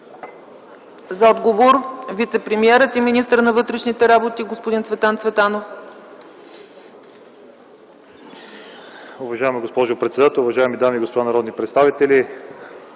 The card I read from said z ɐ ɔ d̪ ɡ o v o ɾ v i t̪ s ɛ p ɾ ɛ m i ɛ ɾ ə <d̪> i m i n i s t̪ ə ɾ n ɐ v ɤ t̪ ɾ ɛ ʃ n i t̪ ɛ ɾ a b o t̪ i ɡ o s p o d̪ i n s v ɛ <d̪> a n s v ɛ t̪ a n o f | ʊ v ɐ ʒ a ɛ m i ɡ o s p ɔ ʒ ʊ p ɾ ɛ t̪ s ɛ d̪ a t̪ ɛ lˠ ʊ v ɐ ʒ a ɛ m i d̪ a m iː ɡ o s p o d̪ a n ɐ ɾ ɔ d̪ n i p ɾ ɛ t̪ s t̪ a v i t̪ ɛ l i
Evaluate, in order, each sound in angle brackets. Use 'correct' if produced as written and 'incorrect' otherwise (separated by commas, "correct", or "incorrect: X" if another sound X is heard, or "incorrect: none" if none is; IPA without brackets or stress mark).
incorrect: t̪, incorrect: t̪